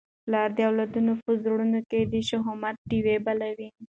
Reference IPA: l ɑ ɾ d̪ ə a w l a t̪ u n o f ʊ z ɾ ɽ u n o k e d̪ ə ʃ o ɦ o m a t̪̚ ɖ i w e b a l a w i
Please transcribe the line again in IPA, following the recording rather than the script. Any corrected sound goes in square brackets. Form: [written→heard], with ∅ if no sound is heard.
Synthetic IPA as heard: l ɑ ɾ d̪ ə a w l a [t̪→d̪] u n o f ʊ z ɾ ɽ u n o k e d̪ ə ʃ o ɦ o m a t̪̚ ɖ i w e b a l a w i